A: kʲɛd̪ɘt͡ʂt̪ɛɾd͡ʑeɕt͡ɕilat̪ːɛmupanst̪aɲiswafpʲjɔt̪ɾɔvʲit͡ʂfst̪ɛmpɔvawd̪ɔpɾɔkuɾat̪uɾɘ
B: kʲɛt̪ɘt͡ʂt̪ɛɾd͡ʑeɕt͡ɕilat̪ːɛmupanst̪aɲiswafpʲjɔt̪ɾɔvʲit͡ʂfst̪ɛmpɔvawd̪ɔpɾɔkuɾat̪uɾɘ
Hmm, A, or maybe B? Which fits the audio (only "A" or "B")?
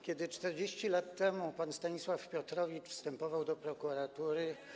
A